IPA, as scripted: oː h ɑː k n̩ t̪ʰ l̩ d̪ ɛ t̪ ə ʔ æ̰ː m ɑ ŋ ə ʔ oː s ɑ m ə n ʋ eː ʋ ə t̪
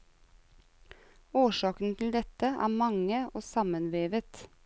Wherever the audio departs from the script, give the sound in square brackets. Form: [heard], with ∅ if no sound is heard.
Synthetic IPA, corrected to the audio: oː [ʃ] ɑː k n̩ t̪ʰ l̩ d̪ ɛ t̪ ə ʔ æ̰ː m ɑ ŋ ə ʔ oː s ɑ m ə n ʋ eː ʋ ə t̪